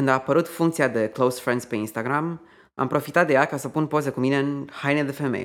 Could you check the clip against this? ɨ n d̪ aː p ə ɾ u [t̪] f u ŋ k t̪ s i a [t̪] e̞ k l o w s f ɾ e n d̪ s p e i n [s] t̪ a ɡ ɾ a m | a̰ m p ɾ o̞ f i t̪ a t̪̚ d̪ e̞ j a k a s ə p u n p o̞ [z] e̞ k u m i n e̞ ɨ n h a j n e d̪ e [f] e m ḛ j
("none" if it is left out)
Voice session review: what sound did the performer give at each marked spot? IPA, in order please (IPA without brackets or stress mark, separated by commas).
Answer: t̪, d̪, s, z, f